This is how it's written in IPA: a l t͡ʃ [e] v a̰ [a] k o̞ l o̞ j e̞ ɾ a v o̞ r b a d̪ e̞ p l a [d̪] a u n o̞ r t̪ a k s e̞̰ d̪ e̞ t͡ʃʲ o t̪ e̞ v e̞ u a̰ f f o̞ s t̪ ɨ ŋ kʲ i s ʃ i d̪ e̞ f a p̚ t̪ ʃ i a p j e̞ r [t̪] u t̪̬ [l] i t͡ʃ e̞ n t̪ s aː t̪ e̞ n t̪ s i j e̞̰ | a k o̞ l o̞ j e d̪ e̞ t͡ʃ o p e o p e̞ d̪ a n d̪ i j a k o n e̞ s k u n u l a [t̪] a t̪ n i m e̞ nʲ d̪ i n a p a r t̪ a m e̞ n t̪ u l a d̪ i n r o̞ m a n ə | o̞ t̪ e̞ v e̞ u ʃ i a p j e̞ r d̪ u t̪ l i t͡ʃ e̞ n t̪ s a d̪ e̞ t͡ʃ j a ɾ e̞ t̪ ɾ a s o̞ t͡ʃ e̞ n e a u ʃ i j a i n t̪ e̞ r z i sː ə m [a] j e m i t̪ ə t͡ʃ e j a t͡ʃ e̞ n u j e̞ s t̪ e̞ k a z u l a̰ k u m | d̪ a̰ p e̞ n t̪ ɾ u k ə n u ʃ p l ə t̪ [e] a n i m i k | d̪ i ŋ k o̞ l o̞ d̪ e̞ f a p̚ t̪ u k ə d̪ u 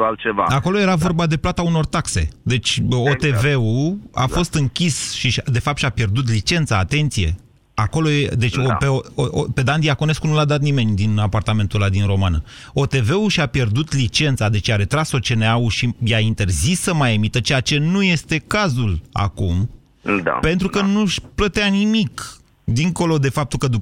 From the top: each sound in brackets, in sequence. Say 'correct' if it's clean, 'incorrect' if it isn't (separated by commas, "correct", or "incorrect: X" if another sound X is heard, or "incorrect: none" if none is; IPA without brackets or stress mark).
correct, correct, incorrect: t̪, incorrect: d̪, correct, incorrect: d̪, correct, correct